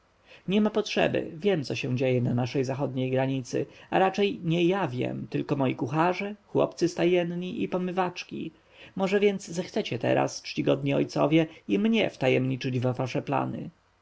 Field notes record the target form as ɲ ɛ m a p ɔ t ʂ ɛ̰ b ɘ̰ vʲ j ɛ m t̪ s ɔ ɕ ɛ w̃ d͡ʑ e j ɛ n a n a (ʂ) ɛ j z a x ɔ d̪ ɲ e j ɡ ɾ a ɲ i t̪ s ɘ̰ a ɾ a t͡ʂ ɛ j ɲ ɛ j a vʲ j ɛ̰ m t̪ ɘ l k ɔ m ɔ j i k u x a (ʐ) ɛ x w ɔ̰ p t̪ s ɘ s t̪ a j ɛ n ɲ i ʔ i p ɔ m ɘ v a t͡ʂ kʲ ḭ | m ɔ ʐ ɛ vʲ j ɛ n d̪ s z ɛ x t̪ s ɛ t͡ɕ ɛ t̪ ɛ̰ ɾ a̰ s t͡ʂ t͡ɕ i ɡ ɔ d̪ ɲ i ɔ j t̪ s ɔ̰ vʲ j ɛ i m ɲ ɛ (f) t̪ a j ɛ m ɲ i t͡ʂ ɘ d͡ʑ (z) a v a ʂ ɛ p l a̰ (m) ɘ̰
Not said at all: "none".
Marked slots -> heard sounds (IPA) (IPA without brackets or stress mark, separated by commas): ʂ, ʐ, f, v, n